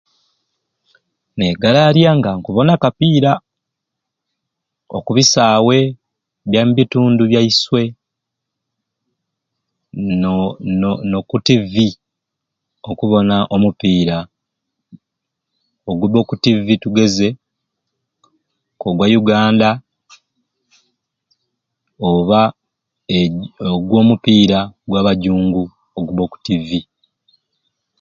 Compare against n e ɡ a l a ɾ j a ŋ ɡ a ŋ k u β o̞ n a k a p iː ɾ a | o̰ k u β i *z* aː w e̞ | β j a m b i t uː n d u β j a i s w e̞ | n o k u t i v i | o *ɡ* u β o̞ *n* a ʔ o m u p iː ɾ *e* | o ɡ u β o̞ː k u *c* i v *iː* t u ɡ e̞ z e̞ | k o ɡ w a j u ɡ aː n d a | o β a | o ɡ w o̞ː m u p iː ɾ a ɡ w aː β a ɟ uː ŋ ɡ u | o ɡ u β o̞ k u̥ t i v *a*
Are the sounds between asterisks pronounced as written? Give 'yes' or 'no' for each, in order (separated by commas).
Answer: no, no, yes, no, no, no, no